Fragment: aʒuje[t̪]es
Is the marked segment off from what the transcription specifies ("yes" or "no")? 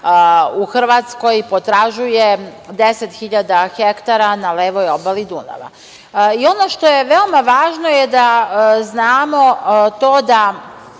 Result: yes